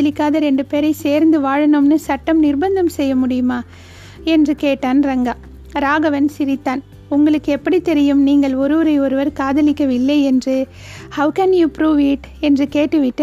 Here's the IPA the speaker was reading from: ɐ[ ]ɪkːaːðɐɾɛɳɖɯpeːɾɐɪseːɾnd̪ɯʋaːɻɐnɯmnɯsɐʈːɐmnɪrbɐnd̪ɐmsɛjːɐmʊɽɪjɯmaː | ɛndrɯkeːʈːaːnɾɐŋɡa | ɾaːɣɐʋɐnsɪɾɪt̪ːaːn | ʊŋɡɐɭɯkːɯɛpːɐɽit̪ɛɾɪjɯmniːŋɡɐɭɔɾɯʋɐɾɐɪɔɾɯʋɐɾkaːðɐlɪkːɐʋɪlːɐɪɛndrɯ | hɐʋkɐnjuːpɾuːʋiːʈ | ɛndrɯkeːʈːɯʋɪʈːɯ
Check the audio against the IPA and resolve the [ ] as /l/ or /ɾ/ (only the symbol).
l